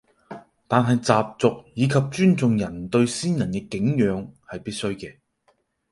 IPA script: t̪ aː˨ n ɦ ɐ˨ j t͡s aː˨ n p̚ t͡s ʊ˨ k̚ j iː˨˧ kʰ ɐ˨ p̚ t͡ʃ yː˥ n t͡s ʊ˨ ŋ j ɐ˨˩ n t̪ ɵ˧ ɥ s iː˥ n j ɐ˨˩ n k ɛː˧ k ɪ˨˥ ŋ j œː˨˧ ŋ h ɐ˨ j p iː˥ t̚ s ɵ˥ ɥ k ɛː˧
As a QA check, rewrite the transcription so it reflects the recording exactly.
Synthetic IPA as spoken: t̪ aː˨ n ɦ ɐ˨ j t͡s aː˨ p̚ t͡s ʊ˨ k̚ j iː˨˧ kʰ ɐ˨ p̚ t͡ʃ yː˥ n t͡s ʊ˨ ŋ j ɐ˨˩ n t̪ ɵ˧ ɥ s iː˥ n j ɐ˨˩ n k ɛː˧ k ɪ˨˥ ŋ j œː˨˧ ŋ h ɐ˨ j p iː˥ t̚ s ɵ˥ ɥ k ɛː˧